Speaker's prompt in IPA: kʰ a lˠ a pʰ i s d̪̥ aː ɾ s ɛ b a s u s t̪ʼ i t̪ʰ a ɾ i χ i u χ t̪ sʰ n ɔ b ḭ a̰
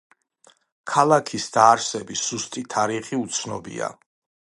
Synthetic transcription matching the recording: kʰ a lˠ a kʰ i s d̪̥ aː ɾ s ɛ b i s u s t̪ʼ i t̪ʰ a ɾ i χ i u t̪ sʰ n ɔ b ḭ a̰